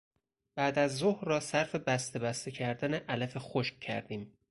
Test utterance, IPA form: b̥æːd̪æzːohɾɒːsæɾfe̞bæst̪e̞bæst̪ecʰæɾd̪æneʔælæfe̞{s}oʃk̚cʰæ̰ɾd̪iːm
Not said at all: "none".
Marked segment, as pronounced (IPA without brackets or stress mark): x